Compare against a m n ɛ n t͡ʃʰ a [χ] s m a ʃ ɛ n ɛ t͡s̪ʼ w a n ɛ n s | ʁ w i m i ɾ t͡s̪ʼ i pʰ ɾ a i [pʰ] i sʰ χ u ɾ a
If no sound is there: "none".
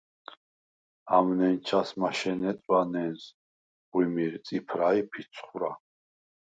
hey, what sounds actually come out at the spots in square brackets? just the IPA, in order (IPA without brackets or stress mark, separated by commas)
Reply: none, pʰ